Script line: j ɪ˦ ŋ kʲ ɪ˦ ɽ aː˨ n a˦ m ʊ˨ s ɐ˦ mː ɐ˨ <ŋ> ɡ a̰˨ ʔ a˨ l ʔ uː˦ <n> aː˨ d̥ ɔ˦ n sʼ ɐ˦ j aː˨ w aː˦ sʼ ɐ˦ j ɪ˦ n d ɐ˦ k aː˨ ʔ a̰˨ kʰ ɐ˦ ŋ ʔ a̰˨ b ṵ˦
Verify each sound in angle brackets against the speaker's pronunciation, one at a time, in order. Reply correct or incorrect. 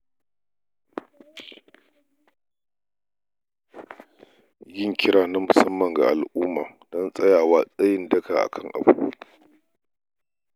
correct, incorrect: m

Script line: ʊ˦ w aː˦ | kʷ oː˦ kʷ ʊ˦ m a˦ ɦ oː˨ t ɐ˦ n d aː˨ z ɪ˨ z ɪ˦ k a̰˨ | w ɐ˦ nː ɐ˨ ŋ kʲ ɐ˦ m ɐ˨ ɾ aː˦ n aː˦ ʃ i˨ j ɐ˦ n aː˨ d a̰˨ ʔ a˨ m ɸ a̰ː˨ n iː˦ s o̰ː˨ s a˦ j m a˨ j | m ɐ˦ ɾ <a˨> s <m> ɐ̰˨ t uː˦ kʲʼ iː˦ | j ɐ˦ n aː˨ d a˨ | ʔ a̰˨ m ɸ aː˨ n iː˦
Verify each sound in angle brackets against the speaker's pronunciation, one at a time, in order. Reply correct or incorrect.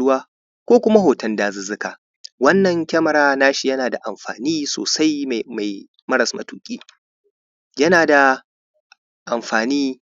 incorrect: ɐ˨, correct

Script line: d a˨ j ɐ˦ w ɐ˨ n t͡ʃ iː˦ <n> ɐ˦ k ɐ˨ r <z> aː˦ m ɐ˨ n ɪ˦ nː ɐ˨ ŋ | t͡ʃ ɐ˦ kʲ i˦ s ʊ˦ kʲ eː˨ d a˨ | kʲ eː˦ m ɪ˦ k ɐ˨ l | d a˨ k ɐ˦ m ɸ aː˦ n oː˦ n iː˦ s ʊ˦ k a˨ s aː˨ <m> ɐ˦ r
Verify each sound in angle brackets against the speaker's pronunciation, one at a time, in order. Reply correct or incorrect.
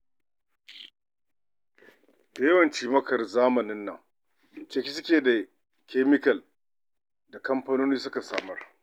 incorrect: m, correct, correct

